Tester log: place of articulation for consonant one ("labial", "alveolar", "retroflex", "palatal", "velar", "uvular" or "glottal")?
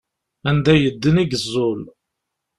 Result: alveolar